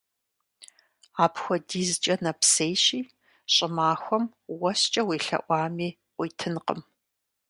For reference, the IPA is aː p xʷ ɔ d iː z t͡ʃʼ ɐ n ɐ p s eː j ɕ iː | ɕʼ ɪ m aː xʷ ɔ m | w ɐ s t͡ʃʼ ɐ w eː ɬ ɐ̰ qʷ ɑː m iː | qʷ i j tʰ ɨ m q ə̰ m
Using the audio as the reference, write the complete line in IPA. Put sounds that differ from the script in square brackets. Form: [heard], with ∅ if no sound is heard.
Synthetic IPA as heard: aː p xʷ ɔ d iː z t͡ʃʼ ɐ n ɐ p s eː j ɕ iː | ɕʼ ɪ m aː xʷ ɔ m | w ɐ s t͡ʃʼ ɐ w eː ɬ ɐ̰ [ʔʷ] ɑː m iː | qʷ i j tʰ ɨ [n] q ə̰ m